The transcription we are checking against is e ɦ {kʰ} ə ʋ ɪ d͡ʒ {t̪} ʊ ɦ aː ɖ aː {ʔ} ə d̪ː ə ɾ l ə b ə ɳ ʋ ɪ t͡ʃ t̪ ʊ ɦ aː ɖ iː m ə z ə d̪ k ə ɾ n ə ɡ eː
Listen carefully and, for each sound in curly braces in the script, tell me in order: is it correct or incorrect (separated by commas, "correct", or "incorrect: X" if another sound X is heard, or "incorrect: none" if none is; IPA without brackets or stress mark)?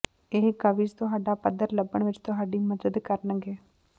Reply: incorrect: k, correct, incorrect: p